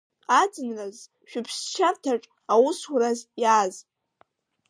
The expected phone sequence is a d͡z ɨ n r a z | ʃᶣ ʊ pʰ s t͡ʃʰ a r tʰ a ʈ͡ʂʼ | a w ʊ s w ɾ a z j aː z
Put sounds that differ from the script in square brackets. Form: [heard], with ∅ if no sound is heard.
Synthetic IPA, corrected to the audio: a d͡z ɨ n r a z | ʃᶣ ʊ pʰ s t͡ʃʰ a r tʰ a ʈ͡ʂʼ | a w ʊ s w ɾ a z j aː z